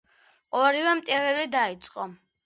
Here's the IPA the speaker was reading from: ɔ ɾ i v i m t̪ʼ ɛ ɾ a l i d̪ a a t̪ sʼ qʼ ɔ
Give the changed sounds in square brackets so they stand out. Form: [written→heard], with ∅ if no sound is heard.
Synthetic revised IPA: ɔ ɾ i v [i→ɛ] m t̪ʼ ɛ ɾ [a→ɛ] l i d̪ a [a→i] t̪ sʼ qʼ ɔ